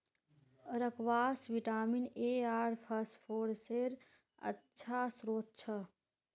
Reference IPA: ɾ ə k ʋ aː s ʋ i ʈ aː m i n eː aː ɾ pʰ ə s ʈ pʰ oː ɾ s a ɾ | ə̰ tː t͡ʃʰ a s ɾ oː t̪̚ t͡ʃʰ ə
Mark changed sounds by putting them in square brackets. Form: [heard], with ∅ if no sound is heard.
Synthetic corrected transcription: ɾ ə k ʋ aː s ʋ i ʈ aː m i n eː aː ɾ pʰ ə s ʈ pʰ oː ɾ s [e] ɾ | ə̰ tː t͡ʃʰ a s ɾ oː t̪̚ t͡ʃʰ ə